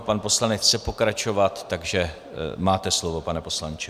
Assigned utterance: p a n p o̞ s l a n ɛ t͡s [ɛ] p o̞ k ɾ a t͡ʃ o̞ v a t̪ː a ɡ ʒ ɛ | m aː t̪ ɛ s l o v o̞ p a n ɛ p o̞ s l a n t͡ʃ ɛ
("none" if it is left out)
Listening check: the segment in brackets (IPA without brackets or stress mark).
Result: ɛ